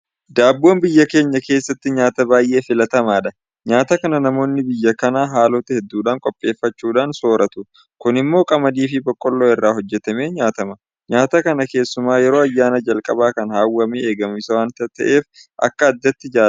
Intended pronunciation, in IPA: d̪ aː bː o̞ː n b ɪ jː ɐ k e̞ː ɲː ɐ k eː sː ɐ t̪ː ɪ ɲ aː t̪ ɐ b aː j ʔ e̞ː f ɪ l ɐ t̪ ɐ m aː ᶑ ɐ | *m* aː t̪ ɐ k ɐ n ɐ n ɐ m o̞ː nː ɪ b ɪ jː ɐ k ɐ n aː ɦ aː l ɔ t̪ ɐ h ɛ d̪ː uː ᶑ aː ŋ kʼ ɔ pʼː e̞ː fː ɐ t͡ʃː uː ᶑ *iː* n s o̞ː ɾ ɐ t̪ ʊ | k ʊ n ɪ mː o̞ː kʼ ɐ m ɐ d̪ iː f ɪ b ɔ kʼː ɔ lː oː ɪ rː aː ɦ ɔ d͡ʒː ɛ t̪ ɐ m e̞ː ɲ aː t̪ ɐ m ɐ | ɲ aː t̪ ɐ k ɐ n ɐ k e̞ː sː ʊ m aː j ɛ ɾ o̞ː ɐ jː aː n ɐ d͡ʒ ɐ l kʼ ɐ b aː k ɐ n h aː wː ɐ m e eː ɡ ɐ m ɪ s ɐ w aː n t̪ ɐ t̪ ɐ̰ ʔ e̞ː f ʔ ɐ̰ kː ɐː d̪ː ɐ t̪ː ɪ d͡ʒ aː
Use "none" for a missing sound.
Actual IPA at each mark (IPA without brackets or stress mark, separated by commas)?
ɲ, aː